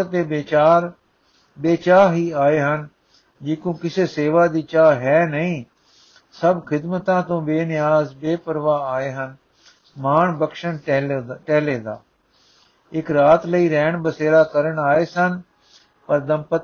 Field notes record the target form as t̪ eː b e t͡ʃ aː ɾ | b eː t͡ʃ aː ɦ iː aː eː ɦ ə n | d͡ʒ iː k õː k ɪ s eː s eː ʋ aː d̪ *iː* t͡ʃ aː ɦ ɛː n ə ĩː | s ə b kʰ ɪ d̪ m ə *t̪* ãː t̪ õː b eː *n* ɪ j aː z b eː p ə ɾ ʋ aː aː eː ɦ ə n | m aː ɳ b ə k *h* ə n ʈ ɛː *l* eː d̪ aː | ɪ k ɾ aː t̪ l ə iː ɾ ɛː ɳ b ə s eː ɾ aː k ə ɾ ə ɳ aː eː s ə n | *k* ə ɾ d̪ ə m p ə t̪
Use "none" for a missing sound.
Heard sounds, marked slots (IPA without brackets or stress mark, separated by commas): iː, t̪, n, ʃ, l, p